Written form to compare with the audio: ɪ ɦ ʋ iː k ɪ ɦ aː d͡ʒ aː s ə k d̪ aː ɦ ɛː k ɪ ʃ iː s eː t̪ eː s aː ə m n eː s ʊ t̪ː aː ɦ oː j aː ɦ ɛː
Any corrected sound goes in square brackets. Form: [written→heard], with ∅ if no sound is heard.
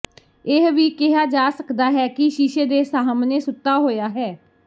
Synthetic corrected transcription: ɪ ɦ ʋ iː k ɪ ɦ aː d͡ʒ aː s ə k d̪ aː ɦ ɛː k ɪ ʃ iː [s→ʃ] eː [t̪→d̪] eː s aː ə m n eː s ʊ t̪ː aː ɦ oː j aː ɦ ɛː